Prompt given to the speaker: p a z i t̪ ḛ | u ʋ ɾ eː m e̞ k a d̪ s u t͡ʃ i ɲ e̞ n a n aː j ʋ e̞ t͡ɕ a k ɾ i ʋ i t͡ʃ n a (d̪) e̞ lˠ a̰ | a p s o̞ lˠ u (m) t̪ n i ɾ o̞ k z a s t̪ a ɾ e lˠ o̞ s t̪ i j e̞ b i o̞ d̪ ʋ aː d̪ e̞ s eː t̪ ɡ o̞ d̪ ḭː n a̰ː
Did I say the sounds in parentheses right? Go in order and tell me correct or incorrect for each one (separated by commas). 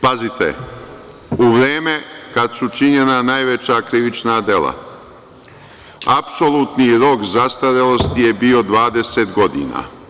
correct, incorrect